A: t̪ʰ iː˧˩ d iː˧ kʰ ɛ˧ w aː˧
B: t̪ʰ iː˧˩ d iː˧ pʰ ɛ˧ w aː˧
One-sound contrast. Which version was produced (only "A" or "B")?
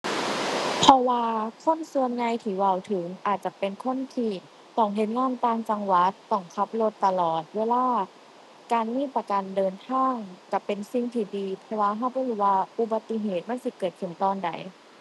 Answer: B